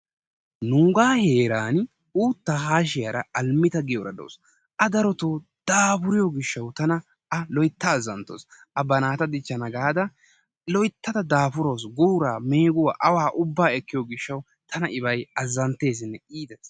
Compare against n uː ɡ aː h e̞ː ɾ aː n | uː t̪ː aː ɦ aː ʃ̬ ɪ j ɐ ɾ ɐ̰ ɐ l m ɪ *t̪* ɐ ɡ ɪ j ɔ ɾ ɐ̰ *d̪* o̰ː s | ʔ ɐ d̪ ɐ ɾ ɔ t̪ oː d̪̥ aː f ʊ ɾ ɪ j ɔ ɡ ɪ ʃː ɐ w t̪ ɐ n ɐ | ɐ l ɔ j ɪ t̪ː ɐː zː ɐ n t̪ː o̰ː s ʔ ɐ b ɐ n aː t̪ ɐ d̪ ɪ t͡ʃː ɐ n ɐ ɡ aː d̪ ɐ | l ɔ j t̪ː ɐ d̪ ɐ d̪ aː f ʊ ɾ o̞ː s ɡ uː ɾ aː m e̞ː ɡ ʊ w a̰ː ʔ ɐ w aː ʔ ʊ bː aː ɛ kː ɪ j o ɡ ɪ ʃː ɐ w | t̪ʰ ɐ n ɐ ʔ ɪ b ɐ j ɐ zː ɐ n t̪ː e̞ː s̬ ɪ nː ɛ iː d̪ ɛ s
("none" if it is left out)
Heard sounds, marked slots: t̪, d̪

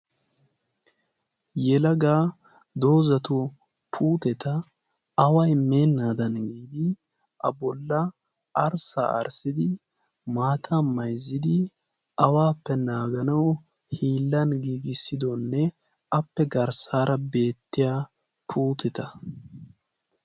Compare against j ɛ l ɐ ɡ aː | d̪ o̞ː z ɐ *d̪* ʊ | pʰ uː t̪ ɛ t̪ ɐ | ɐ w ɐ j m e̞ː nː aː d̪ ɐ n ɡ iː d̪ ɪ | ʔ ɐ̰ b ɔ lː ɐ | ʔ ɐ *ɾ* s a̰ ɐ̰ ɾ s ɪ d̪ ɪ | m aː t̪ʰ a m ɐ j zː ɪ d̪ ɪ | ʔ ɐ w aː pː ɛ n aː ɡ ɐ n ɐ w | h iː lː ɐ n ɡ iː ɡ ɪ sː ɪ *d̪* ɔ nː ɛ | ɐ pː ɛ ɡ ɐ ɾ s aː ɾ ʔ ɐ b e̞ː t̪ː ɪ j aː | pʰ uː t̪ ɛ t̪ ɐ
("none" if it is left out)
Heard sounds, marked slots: t̪, ɾ, d̪

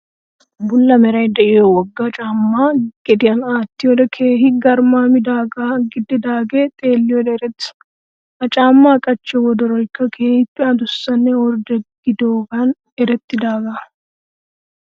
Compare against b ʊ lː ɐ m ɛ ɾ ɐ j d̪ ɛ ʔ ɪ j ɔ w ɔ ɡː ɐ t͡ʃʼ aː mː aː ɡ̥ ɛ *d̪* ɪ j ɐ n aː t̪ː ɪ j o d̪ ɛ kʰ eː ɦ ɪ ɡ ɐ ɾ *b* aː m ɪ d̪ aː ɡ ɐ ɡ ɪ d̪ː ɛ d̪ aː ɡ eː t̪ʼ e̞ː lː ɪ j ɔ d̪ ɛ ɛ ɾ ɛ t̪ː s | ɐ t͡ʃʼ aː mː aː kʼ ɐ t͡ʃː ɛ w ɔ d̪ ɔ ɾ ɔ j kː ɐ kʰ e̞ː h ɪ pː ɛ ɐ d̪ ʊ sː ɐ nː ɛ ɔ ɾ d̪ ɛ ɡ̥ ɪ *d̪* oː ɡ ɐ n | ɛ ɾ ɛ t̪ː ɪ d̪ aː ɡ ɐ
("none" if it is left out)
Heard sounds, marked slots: d̪, m, d̪

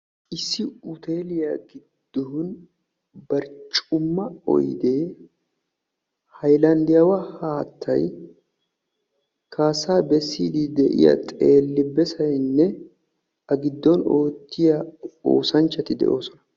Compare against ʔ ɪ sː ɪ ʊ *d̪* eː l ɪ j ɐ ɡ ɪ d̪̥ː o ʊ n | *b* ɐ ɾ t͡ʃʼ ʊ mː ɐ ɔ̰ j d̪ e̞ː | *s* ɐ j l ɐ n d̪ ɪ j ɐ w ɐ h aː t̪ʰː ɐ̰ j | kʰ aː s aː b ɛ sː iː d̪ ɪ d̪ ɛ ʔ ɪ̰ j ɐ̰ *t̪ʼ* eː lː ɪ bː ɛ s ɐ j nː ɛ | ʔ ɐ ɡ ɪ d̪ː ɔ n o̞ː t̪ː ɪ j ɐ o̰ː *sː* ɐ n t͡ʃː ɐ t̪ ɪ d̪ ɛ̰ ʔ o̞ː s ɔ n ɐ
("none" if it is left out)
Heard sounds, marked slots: t̪, b, h, t̪ʼ, s

